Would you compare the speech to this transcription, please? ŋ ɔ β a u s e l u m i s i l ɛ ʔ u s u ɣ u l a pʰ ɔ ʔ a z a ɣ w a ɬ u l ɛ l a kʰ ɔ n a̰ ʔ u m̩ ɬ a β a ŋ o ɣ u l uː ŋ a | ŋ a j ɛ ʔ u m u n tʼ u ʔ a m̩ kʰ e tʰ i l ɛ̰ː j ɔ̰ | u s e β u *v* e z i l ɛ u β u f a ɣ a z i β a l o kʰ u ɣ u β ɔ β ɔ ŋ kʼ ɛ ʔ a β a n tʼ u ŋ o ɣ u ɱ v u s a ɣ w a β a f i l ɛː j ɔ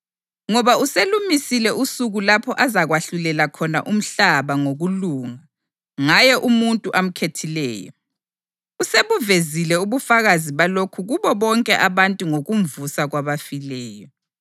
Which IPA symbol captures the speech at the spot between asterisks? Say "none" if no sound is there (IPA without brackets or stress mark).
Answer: v